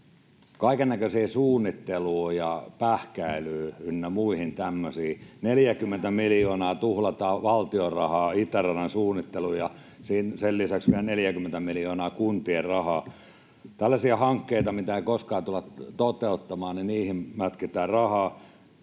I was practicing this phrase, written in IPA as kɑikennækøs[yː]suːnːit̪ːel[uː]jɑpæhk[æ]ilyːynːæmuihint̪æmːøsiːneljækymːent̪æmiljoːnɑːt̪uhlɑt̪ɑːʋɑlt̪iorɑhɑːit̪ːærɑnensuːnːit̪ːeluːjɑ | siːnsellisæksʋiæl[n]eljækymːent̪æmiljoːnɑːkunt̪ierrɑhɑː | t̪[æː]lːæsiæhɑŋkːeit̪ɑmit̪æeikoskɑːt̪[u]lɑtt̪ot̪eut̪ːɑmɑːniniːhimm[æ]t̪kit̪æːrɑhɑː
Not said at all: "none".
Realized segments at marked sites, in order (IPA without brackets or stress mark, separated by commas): iː, uː, æ, n, æ, u, æ